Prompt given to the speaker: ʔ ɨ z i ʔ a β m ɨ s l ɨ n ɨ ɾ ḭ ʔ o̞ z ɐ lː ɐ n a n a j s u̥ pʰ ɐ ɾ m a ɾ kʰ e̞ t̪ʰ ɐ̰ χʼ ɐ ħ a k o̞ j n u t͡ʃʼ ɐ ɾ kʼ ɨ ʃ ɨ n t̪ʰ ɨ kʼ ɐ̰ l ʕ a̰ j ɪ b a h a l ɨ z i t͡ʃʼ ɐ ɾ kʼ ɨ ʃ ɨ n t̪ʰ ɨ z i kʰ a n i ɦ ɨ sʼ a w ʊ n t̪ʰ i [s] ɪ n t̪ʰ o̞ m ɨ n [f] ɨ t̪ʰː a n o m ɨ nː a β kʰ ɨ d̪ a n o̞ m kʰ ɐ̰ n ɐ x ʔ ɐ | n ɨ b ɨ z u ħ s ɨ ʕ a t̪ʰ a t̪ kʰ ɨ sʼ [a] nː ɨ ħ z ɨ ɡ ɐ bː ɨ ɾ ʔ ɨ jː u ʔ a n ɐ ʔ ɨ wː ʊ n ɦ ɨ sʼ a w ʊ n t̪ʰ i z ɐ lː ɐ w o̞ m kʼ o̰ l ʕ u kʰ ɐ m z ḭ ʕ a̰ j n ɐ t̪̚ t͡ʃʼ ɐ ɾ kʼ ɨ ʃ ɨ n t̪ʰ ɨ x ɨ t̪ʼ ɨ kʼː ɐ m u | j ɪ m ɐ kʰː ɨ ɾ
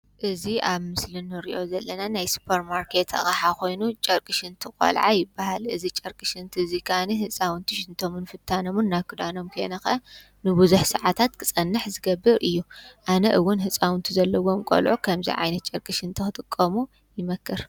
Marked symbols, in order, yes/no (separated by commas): no, yes, no